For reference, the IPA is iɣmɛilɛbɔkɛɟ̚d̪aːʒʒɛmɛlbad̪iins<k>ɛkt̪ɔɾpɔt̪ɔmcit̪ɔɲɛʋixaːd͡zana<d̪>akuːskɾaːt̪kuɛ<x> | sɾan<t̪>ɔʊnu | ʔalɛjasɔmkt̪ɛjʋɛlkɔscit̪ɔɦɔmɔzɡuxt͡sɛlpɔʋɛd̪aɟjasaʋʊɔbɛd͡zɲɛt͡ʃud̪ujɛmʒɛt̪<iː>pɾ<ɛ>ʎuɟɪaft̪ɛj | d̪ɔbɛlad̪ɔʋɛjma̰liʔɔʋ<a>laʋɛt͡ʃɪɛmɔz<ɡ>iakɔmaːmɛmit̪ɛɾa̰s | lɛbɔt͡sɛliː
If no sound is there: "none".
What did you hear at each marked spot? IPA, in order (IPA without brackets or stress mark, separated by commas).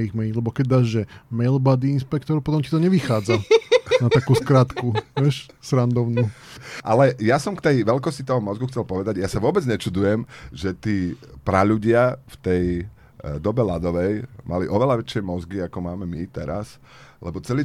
p, t̪, ʃ, d̪, iː, a, ɛ, ɡ